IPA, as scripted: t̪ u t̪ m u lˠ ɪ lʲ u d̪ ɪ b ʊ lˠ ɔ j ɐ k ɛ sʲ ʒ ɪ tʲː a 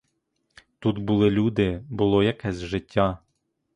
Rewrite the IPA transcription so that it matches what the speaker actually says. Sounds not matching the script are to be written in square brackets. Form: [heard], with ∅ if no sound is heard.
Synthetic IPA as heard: t̪ u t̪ [b] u lˠ ɪ lʲ u d̪ ɪ b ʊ lˠ ɔ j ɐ k ɛ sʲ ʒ ɪ tʲː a